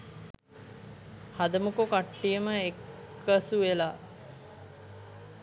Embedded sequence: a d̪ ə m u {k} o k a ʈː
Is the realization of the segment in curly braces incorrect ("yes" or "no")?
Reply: no